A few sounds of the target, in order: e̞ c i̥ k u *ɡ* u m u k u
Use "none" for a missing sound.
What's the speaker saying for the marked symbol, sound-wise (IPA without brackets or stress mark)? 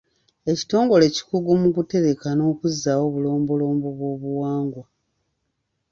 ɡ